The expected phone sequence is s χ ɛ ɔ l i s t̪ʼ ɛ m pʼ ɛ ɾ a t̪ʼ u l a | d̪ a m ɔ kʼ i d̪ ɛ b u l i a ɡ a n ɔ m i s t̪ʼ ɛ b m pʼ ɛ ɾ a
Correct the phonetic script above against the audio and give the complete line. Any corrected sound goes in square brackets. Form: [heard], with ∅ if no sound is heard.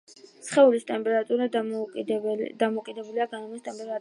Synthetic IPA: s χ ɛ [u] l i s t̪ʼ ɛ m pʼ ɛ ɾ a t̪ʼ u [ɾ] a | d̪ a m ɔ kʼ i d̪ ɛ b u l i a ɡ a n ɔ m i s t̪ʼ ɛ [∅] m pʼ ɛ ɾ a